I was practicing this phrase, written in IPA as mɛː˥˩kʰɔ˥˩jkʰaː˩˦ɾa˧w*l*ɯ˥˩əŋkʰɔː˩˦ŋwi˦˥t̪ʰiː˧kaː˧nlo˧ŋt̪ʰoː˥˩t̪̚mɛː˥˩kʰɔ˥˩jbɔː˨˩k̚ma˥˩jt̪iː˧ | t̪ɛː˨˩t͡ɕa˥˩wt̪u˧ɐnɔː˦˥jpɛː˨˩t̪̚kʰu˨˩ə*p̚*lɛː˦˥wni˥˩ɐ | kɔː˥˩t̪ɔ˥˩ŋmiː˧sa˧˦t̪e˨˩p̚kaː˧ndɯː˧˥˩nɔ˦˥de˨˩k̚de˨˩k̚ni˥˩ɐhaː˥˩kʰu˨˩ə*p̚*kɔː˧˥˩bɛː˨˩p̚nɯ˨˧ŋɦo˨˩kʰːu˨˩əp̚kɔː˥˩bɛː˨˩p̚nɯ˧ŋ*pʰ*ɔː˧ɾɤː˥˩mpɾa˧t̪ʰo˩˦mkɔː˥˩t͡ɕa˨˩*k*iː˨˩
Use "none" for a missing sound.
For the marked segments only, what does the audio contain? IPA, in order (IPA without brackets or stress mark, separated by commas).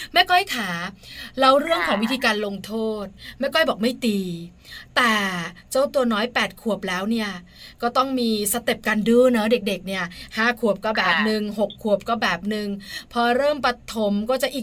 ɾ, p̚, p̚, pʰ, ʔ